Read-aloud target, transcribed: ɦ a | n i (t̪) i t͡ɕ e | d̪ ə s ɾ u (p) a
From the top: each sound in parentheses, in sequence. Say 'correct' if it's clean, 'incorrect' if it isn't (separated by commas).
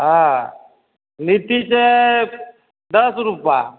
correct, correct